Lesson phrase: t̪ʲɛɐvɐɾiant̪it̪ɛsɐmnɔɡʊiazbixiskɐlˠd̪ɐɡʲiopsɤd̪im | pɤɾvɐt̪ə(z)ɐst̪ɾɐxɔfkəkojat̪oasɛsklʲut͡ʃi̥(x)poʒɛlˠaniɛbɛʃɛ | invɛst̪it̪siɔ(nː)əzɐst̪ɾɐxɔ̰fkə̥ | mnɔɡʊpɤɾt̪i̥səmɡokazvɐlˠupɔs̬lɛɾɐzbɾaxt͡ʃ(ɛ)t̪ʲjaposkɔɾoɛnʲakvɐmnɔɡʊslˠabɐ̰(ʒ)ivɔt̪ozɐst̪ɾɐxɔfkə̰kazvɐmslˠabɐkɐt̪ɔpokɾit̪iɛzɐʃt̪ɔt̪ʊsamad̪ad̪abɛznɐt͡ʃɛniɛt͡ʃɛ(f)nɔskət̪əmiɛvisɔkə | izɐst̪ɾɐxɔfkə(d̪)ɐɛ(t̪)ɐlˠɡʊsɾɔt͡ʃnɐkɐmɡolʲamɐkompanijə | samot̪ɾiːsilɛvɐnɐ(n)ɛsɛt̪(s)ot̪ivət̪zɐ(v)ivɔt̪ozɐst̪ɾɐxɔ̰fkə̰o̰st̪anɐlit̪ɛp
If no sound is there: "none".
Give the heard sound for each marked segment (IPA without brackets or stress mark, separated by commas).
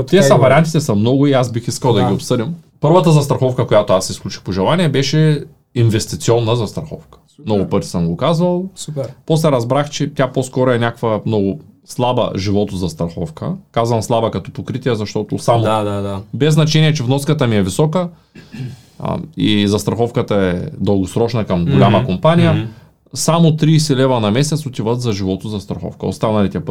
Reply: z, x, nː, ɛ, ʒ, v, t̪, d̪, m, s, ʒ